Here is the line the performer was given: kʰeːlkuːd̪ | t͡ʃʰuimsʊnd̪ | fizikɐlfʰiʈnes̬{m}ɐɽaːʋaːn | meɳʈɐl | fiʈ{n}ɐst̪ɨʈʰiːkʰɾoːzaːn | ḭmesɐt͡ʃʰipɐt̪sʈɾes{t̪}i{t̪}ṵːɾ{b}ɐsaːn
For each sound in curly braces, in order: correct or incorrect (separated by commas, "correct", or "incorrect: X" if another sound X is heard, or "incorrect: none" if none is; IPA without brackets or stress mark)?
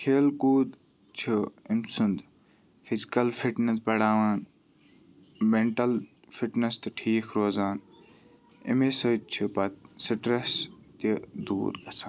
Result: incorrect: b, correct, correct, incorrect: d̪, incorrect: ɡ